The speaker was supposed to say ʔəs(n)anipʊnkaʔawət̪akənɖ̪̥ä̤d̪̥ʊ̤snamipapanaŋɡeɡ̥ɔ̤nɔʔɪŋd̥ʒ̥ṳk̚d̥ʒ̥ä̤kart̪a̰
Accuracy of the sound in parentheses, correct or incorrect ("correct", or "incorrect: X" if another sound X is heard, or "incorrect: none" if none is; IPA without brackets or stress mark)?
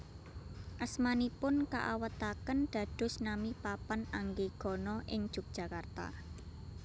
incorrect: m